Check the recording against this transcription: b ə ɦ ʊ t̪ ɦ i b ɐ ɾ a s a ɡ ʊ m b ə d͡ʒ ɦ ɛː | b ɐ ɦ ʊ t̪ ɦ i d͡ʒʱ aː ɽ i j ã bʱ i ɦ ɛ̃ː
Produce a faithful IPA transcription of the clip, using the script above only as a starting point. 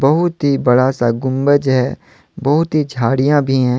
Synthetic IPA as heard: b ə ɦ ʊ t̪ ɦ i b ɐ ɽ a s a ɡ ʊ m b ə d͡ʒ ɦ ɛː | b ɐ ɦ ʊ t̪ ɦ i d͡ʒʱ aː ɽ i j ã bʱ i ɦ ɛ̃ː